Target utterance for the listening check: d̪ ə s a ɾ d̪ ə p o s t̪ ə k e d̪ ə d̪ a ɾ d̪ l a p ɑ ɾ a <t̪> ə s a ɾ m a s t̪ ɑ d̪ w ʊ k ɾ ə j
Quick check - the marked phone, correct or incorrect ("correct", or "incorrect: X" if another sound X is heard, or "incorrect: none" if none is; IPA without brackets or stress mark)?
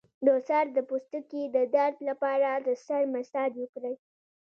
incorrect: d̪